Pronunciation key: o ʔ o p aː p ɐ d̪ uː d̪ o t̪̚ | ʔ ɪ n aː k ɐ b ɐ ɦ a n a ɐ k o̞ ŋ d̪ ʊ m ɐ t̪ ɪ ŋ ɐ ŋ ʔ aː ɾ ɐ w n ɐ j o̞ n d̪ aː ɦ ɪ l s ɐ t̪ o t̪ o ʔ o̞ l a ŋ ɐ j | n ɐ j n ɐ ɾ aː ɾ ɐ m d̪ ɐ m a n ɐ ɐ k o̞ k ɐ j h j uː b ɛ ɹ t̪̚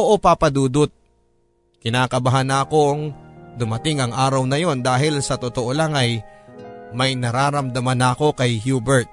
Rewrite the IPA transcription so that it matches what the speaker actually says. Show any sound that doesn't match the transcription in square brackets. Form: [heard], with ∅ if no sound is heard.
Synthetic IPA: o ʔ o p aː p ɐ d̪ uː d̪ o t̪̚ | [k] ɪ n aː k ɐ b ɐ ɦ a n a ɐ k o̞ ŋ d̪ ʊ m ɐ t̪ ɪ ŋ ɐ ŋ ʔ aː ɾ ɐ w n ɐ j o̞ n d̪ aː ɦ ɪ l s ɐ t̪ o t̪ o ʔ o̞ l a ŋ ɐ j | [m] ɐ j n ɐ ɾ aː ɾ ɐ m d̪ ɐ m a n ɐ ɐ k o̞ k ɐ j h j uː b ɛ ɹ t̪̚